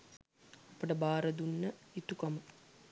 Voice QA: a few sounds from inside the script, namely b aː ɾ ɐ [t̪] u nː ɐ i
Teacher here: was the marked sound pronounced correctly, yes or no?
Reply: no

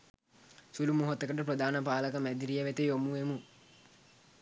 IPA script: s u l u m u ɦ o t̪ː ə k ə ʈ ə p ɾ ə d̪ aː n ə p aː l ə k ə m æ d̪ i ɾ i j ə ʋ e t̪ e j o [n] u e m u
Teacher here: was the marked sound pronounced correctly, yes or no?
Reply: no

